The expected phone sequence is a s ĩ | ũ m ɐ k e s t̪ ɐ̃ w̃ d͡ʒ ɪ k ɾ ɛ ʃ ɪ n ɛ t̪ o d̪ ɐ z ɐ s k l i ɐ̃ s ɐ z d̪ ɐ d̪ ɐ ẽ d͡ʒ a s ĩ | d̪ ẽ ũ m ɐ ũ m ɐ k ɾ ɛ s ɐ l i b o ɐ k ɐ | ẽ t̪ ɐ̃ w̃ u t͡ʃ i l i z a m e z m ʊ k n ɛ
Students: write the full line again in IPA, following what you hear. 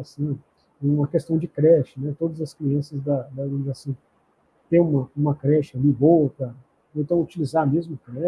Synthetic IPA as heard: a s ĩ | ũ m ɐ k e s t̪ ɐ̃ w̃ d͡ʒ ɪ k ɾ ɛ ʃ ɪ n ɛ t̪ o d̪ ɐ z ɐ s k l i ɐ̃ s ɐ z d̪ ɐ d̪ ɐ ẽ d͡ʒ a s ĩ | t̪ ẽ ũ m ɐ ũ m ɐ k ɾ ɛ ʃ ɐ l i b o ɐ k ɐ | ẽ t̪ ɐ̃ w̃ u t͡ʃ i l i z a m e z m ʊ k n ɛ